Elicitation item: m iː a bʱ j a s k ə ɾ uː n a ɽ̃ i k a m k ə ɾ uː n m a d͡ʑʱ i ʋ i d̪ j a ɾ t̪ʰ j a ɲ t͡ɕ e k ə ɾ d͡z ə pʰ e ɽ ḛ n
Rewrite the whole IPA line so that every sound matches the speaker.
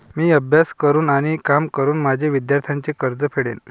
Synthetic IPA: m iː ə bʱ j a s k ə ɾ uː n a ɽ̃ i k a m k ə ɾ uː n m a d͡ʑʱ e ʋ i d̪ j a ɾ t̪ʰ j a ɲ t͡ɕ e k ə ɾ d͡z ə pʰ e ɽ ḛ n